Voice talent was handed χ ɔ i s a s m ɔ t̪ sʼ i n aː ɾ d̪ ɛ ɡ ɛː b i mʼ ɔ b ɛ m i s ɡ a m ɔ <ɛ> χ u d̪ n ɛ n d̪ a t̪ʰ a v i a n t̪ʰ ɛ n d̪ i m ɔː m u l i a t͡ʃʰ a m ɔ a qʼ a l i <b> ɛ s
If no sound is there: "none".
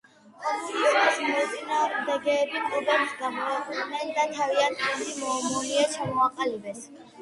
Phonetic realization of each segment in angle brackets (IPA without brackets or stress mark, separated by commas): ɛ, b